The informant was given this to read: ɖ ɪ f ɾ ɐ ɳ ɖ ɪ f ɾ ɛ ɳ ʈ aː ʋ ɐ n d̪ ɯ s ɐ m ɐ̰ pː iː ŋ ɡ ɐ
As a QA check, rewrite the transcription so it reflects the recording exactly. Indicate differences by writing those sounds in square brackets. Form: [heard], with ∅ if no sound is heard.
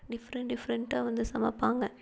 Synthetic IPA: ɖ ɪ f ɾ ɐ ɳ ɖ ɪ f ɾ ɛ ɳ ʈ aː ʋ ɐ n d̪ ɯ s ɐ m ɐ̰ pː [aː] ŋ ɡ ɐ